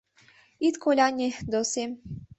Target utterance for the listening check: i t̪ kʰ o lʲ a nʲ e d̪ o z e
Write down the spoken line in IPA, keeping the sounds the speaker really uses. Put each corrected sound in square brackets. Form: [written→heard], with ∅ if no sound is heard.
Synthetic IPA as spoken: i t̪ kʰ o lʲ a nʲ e d̪ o [z→s] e